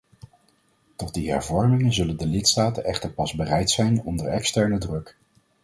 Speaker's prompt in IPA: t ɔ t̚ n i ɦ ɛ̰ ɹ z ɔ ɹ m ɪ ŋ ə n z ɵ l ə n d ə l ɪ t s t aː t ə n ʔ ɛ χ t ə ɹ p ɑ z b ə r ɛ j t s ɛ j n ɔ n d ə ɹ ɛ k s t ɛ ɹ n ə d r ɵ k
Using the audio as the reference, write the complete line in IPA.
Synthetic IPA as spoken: t ɔ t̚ d i ɦ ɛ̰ ɹ v ɔ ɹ m ɪ ŋ ə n z ɵ l ə n d ə l ɪ t s t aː t ə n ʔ ɛ χ t ə ɹ p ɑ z b ə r ɛ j t s ɛ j n ɔ n d ə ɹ ɛ k s t ɛ ɹ n ə d r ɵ k